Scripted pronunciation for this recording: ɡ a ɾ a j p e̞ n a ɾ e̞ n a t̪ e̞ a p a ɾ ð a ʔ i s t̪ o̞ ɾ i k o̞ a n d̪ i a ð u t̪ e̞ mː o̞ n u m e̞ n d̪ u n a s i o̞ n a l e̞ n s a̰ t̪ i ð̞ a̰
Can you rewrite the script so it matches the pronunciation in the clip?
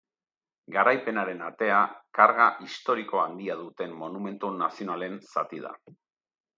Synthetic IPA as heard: ɡ a ɾ a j p e̞ n a ɾ e̞ n a t̪ e̞ a k a ɾ ɣ a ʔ i s t̪ o̞ ɾ i k o̞ a n d̪ i a ð u t̪ e̞ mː o̞ n u m e̞ n t̪ u n a s i o̞ n a l e̞ n s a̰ t̪ i ð̞ a̰